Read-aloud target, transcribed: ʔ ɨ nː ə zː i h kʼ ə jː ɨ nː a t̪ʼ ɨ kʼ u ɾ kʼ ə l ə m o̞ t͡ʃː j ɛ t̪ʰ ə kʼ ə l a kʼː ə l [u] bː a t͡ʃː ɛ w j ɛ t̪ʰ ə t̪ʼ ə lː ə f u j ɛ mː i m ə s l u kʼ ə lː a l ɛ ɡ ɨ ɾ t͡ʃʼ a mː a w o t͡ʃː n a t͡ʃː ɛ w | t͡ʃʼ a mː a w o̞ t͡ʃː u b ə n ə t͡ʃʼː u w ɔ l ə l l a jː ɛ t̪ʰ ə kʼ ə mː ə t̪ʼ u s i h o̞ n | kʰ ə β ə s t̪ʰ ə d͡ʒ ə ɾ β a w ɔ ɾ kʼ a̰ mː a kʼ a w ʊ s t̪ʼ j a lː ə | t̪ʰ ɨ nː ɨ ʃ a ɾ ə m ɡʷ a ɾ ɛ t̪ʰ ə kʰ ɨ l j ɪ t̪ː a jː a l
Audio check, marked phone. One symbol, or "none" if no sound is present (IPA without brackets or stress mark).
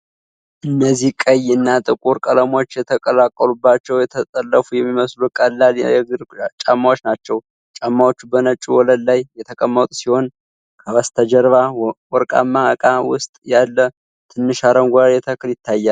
u